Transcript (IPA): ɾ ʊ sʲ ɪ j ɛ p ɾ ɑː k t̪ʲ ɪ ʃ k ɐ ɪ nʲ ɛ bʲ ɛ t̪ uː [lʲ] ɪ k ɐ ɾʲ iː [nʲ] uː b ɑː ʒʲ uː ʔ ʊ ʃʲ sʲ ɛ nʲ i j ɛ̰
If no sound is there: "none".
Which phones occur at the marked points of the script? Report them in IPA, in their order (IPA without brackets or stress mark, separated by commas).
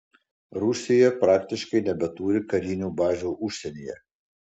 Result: ɾʲ, nʲ